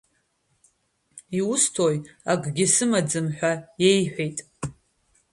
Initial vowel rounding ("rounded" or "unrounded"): unrounded